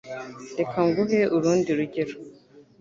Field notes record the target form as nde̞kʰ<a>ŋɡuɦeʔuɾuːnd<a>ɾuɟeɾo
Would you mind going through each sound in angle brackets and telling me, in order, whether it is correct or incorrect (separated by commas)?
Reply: correct, incorrect